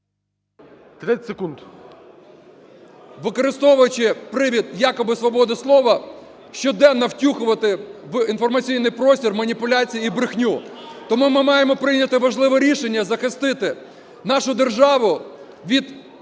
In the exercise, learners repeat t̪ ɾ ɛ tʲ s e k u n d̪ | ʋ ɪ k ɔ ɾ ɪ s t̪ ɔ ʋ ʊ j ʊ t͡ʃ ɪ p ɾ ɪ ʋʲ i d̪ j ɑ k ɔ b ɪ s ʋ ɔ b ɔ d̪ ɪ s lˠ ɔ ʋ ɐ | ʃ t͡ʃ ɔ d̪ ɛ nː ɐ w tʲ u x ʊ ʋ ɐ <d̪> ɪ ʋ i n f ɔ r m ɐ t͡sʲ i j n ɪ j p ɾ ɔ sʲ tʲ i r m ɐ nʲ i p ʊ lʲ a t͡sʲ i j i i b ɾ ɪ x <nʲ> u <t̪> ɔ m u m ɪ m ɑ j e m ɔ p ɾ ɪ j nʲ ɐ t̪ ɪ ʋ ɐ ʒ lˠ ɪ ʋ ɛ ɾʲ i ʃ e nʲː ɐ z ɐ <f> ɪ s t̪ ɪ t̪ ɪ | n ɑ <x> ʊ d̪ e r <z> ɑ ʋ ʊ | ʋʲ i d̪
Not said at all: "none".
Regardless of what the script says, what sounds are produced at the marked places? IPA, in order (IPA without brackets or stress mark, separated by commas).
t̪, nʲ, t̪, x, ʃ, ʒ